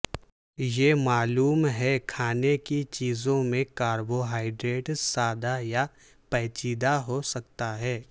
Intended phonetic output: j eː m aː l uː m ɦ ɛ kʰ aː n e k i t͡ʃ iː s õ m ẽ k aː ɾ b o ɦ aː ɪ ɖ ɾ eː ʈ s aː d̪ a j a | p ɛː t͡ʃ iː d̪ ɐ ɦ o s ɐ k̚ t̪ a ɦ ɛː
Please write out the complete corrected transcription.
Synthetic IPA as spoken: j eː m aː l uː m ɦ ɛ kʰ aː n e k i t͡ʃ iː z õ m ẽ k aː ɾ b o ɦ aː ɪ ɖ ɾ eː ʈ s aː d̪ a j a | p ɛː t͡ʃ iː d̪ a ɦ o s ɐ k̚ t̪ a ɦ ɛː